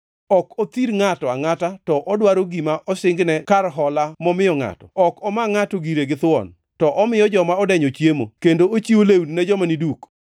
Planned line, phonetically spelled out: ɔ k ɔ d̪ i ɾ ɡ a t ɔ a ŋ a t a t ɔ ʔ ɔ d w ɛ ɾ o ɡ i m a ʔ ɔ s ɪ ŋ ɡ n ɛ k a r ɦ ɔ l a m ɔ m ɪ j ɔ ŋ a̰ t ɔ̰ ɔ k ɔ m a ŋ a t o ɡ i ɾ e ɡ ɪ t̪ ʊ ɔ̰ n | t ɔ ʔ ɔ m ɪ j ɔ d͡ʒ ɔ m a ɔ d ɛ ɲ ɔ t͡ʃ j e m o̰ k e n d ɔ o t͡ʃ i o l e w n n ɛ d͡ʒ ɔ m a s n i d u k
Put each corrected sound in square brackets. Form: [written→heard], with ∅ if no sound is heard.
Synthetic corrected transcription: ɔ k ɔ [d̪→t̪] i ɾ [ɡ→ŋ] a t ɔ a ŋ a t a t ɔ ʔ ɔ d w [ɛ→a] ɾ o ɡ i m a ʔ ɔ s ɪ ŋ ɡ n ɛ k a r ɦ ɔ l a m ɔ m ɪ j ɔ ŋ a̰ t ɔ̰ ɔ k ɔ m a ŋ a t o ɡ i ɾ e ɡ ɪ t̪ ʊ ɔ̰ n | t ɔ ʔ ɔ m ɪ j ɔ d͡ʒ ɔ m a ɔ d ɛ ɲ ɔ t͡ʃ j e m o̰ k e n d [ɔ→o] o t͡ʃ i o l e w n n ɛ d͡ʒ ɔ m a [s→∅] n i d u k